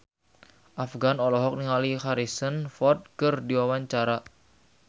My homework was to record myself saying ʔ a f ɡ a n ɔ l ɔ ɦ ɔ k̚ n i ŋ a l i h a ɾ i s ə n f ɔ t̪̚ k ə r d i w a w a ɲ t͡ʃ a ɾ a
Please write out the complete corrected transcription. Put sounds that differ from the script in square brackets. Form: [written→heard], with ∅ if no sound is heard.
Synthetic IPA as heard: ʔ a f ɡ a n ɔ l ɔ ɦ ɔ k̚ n i ŋ a l i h a ɾ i s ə n f ɔ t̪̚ k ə r d i w a w a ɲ t͡ʃ a ɾ a